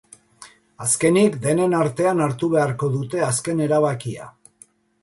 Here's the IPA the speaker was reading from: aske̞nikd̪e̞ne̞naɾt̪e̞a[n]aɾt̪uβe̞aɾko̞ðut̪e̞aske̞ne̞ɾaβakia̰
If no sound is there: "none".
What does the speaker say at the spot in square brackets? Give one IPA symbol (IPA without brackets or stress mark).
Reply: n